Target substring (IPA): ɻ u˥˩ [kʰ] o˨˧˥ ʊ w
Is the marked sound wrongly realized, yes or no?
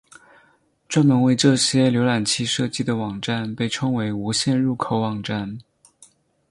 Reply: no